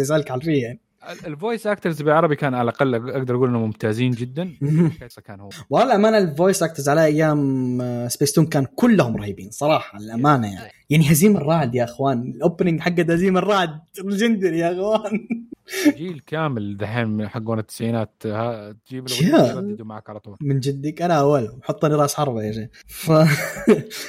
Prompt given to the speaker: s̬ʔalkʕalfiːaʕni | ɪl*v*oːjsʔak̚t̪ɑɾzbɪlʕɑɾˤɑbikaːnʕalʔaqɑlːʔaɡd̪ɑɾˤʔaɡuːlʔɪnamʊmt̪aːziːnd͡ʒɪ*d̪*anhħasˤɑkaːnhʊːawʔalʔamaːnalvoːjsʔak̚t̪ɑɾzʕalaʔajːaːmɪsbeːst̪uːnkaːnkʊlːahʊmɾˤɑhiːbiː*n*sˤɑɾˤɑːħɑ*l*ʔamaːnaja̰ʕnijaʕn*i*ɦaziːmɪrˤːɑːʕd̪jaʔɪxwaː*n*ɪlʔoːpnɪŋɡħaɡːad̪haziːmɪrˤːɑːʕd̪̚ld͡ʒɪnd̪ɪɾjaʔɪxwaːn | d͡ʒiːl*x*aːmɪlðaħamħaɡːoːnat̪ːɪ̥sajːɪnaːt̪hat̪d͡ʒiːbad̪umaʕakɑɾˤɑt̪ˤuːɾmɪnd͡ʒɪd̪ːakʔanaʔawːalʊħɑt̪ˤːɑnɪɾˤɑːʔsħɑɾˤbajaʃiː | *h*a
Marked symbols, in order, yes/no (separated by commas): yes, no, yes, yes, yes, yes, no, no